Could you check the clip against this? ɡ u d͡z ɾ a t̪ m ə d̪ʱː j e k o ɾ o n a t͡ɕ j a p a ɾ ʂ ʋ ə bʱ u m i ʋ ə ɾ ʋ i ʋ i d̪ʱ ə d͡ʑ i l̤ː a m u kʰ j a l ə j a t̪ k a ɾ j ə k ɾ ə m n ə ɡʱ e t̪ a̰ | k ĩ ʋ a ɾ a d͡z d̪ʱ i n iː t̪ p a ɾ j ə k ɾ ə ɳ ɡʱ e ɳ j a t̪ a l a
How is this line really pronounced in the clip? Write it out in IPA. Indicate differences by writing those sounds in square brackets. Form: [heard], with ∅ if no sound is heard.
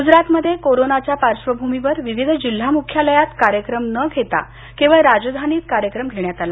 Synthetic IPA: ɡ u d͡z ɾ a t̪ m ə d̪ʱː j e k o ɾ o n a t͡ɕ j a p a ɾ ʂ ʋ ə bʱ u m i ʋ ə ɾ ʋ i ʋ i d̪ʱ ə d͡ʑ i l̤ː a m u kʰ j a l ə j a t̪ k a ɾ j ə k ɾ ə m n ə ɡʱ e t̪ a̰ | k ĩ ʋ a ɾ a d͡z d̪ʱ [a] n iː t̪ [k] a ɾ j ə k ɾ ə [m] ɡʱ e ɳ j a t̪ a l a

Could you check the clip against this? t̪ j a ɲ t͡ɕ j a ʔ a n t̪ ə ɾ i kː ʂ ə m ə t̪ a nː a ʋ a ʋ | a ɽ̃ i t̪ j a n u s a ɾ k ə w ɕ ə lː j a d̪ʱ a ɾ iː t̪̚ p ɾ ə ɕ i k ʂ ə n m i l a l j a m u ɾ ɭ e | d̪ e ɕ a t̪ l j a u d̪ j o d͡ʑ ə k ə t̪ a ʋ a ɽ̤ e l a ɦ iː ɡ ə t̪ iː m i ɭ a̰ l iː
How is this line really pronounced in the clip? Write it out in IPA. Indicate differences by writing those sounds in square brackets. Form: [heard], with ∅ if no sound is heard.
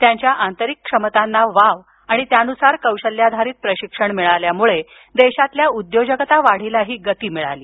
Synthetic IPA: t̪ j a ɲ t͡ɕ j a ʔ a n t̪ ə ɾ i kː ʂ ə m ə t̪ a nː a ʋ a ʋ | a ɽ̃ i t̪ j a n u s a ɾ k ə w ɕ ə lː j a d̪ʱ a ɾ iː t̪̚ p ɾ ə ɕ i k ʂ ə [ɳ] m i [ɭ] a l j a m u [∅] ɭ e | d̪ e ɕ a t̪ l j a u d̪ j o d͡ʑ ə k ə t̪ a ʋ a ɽ̤ [i] l a ɦ iː ɡ ə t̪ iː m i ɭ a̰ l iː

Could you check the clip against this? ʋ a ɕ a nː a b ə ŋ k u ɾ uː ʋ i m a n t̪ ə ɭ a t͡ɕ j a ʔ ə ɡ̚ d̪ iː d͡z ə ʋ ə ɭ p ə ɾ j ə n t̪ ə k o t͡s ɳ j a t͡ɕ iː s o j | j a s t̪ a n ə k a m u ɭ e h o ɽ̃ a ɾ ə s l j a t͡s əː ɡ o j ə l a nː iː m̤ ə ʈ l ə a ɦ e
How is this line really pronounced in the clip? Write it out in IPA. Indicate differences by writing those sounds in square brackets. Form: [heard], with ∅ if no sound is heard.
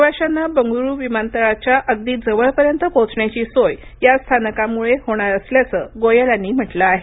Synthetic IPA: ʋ a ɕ a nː a b ə ŋ [ɡ] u ɾ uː ʋ i m a n t̪ ə ɭ a t͡ɕ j a ʔ ə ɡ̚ d̪ iː d͡z ə ʋ ə ɭ p ə ɾ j ə n t̪ ə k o t͡s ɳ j a t͡ɕ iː s o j | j a s [t̪ʰ] a n ə k a m u ɭ e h o ɽ̃ a ɾ ə s l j a t͡s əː ɡ o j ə l a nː iː m̤ ə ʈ l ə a ɦ e

